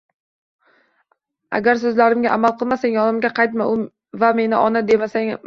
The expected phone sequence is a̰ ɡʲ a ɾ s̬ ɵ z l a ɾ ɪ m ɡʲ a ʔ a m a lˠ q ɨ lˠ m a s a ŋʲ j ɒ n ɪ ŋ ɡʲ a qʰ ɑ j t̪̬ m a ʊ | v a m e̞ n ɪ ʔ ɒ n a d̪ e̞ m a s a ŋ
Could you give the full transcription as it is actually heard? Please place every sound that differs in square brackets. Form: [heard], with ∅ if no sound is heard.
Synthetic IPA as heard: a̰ ɡʲ a ɾ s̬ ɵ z l a ɾ ɪ m ɡʲ a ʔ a m a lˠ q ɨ lˠ m a s a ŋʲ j ɒ n ɪ [m] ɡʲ a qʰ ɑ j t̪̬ m a ʊ | v a m e̞ n ɪ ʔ ɒ n a d̪ e̞ m a s a ŋ